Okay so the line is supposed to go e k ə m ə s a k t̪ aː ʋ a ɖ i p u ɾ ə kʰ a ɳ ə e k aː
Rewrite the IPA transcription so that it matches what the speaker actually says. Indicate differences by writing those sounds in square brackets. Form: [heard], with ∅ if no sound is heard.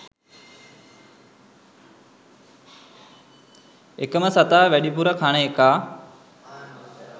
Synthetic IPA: e k ə m ə s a [∅] t̪ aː ʋ [æ] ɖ i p u ɾ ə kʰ a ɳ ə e k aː